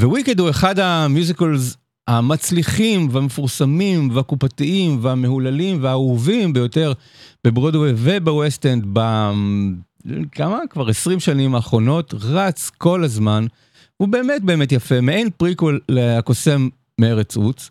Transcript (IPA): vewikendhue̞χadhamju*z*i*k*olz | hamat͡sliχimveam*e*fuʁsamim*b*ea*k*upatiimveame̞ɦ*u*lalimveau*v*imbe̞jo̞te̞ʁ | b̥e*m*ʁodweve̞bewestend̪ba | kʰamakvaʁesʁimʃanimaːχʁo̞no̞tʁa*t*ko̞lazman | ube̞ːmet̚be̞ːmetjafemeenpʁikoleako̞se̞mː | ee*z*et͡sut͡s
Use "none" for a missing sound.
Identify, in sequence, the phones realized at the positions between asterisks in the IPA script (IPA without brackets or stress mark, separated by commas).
z, k, e, v, k, u, v, b, t͡s, ʁ